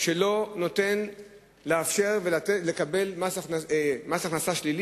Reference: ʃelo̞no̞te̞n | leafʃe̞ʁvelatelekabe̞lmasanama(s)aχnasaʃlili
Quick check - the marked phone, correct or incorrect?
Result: correct